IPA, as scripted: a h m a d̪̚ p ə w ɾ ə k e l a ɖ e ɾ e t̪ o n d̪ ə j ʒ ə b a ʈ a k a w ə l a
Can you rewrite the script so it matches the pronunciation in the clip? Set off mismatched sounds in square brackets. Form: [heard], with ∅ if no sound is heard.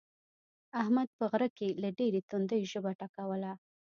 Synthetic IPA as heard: a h m a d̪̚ p ə [ɣ] ɾ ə k e l a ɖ e ɾ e t̪ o n d̪ ə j ʒ ə b a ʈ a k a w ə l a